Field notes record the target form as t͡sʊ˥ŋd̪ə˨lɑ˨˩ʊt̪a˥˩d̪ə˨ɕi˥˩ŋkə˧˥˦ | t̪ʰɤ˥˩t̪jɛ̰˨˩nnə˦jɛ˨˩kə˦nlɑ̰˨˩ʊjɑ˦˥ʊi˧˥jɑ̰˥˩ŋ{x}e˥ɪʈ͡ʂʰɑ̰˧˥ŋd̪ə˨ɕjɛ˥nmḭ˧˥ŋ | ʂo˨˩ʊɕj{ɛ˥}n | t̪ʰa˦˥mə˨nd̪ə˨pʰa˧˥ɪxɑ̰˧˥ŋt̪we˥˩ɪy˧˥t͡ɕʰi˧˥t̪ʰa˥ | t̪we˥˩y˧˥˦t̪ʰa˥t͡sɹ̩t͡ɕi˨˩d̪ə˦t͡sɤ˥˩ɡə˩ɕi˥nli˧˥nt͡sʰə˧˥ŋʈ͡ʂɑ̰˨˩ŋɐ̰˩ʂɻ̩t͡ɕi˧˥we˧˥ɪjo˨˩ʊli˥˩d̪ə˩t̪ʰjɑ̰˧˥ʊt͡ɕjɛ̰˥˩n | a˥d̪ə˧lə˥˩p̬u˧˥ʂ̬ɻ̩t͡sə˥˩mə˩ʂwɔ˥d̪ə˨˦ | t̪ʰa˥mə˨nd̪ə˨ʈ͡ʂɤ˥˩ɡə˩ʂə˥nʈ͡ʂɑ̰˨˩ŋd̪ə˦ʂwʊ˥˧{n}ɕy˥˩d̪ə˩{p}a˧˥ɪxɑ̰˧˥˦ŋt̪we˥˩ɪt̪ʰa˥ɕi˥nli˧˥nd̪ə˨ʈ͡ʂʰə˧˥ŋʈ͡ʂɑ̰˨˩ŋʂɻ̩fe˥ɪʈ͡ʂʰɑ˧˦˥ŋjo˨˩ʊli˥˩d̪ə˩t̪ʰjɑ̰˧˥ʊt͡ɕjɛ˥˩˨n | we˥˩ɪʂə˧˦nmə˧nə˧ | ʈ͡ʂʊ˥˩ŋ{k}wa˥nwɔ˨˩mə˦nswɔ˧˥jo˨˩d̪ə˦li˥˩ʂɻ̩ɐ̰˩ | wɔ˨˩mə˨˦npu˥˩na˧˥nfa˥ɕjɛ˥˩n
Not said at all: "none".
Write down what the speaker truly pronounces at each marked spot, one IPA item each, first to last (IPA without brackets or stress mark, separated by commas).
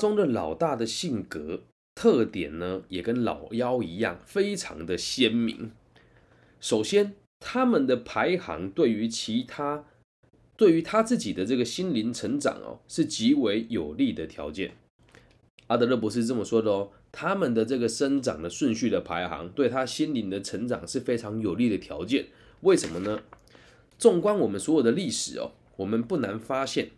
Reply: f, ɛ˥, n, pʰ, k